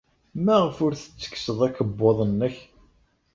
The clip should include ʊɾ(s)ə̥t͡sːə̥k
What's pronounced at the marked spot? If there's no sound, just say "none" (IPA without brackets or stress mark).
θ